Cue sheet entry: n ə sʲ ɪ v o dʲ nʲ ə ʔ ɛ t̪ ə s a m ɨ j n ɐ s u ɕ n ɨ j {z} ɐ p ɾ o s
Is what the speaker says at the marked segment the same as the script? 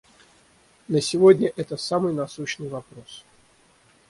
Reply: no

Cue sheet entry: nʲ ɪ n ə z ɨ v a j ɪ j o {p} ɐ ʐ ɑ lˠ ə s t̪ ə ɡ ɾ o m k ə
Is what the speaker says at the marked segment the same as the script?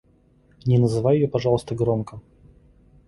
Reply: yes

